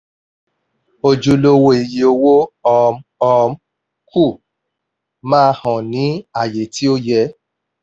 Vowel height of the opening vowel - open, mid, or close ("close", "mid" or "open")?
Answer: mid